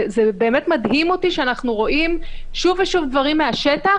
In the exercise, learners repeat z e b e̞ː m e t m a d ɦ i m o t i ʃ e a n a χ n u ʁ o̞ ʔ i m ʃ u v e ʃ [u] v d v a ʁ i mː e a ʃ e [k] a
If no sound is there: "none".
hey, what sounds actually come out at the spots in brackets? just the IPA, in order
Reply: u, t

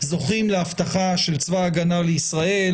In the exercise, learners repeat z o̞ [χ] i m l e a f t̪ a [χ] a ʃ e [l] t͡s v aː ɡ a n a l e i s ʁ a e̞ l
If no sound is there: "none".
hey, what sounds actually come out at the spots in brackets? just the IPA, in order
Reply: χ, χ, l

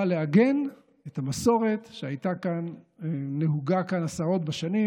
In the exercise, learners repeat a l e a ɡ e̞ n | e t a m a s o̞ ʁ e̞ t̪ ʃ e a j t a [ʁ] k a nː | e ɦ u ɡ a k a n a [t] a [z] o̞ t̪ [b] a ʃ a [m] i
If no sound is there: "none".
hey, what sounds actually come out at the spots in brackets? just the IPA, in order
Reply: none, s, ʁ, b, n

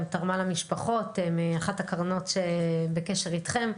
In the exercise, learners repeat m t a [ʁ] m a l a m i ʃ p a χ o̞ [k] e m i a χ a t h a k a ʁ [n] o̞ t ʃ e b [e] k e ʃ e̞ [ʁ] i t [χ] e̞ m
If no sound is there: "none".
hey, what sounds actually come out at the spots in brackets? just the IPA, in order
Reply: ʁ, t, n, e, ʁ, χ

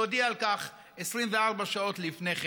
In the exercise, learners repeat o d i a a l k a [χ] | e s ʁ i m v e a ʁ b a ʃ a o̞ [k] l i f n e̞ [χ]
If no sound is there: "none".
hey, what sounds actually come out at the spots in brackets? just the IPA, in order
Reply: χ, t, χ

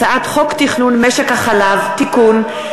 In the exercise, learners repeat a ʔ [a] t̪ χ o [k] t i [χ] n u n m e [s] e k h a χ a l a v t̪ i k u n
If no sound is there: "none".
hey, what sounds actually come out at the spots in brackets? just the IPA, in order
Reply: a, k, χ, ʃ

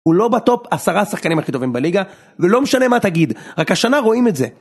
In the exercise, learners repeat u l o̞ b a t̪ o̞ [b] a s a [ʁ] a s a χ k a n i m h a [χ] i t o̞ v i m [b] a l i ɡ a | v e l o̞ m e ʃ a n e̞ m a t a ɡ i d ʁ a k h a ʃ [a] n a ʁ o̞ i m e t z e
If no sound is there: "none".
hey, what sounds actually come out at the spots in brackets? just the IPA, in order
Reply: p, ʁ, χ, b, a

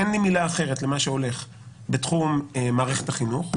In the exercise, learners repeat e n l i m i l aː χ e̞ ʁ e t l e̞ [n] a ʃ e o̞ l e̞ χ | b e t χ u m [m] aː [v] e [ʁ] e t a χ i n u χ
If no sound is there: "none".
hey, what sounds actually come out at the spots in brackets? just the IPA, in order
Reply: m, m, ʁ, χ

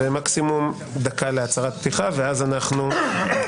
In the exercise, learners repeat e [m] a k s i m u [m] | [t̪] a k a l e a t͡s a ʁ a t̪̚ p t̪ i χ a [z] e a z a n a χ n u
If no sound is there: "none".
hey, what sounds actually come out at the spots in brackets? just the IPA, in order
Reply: m, m, d̪, v

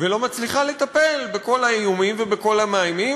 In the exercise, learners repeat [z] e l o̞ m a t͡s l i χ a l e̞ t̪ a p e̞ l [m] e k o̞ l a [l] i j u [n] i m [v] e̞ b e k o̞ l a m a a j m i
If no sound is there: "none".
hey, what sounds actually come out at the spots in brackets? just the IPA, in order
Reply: v, b, none, m, v

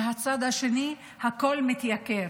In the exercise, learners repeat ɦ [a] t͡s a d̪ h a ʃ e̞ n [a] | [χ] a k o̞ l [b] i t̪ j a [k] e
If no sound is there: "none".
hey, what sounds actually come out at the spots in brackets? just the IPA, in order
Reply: a, i, h, m, k

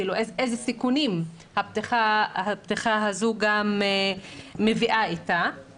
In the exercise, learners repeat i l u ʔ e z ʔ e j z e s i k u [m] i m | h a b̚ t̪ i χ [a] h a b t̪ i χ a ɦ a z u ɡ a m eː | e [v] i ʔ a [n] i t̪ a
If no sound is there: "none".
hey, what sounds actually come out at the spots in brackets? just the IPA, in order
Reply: n, a, v, none

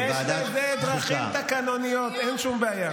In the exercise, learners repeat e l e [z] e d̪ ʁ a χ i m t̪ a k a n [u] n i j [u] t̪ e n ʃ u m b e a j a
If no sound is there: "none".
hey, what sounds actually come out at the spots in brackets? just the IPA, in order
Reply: z, o, o

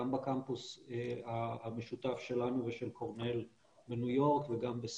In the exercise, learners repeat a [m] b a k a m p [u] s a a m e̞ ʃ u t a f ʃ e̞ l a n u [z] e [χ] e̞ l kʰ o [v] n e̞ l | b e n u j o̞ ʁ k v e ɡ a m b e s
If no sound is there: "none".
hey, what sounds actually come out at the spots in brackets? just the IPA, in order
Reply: m, u, v, ʃ, ʁ

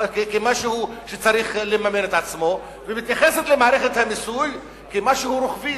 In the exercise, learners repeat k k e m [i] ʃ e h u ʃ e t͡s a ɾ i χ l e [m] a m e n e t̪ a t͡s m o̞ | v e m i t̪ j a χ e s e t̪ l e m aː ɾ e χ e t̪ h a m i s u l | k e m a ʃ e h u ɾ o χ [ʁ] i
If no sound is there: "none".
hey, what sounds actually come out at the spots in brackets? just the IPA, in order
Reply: a, m, v

